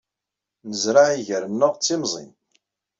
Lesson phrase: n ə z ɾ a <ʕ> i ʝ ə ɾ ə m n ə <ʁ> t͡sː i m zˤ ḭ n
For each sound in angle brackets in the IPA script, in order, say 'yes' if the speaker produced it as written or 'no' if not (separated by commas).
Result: yes, yes